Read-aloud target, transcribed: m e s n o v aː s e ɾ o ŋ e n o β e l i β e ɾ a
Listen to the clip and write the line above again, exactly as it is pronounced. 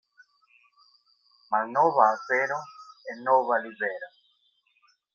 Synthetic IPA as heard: m a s n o β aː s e ɾ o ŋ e n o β a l i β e ɾ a

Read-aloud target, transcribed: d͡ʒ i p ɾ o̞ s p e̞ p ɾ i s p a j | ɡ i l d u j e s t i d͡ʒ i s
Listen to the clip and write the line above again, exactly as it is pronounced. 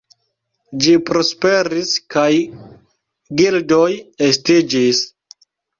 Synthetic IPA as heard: d͡ʒ i p ɾ o̞ s p e̞ ɾ i s k a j | ɡ i l d o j e s t i d͡ʒ i s

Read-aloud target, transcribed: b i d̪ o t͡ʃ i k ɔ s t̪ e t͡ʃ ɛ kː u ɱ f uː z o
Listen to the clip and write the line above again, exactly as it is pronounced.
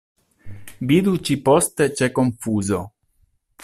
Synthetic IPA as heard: b i d̪ u t͡ʃ i p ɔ s t̪ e t͡ʃ ɛ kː o ɱ f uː z o

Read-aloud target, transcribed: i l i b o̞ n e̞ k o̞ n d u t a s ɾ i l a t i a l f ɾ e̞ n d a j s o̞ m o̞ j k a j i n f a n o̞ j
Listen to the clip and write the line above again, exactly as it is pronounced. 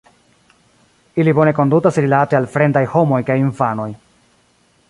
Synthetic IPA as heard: i l i b o̞ n e̞ k o̞ n d u t a s ɾ i l a t e a l f ɾ e̞ n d a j h o̞ m o̞ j k a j i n f a n o̞ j

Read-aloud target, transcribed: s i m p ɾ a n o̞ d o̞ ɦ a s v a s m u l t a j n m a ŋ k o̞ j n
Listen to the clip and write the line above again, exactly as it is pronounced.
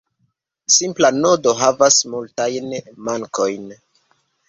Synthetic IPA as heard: s i m p l a n o̞ d o̞ ɦ a v a s m u l t a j n m a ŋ k o̞ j n

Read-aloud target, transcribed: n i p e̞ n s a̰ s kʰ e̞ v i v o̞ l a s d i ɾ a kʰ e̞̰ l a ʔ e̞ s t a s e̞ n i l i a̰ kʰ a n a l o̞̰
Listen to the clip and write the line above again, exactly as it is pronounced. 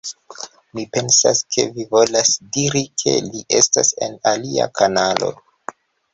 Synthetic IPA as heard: m i p e̞ n s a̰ s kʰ e̞ v i v o̞ l a s d i ɾ i kʰ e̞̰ l i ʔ e̞ s t a s e̞ n a l i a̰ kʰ a n a l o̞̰

